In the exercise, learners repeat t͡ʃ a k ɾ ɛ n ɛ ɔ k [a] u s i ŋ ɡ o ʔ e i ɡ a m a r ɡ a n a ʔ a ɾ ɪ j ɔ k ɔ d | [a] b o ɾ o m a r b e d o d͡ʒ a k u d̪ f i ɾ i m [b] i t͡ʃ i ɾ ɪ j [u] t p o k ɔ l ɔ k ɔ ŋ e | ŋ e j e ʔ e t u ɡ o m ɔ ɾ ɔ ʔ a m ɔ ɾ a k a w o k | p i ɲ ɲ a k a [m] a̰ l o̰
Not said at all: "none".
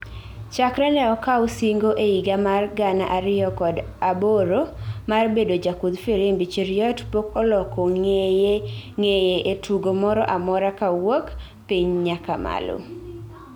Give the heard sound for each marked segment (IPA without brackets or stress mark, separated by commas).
a, a, b, ɔ, m